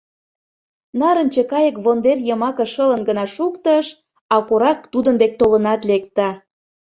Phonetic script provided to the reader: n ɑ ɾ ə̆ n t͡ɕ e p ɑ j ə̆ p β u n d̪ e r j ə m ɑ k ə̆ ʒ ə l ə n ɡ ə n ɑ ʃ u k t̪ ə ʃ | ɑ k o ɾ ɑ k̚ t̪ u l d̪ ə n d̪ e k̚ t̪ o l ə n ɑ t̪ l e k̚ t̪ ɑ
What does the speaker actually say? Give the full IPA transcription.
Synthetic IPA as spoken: n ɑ ɾ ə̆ n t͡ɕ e k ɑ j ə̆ k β o n d̪ e r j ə m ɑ k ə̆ ʃ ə l ə n ɡ ə n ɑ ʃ u k t̪ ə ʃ | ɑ k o ɾ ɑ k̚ t̪ u d̪ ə n d̪ e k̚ t̪ o l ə n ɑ t̪ l e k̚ t̪ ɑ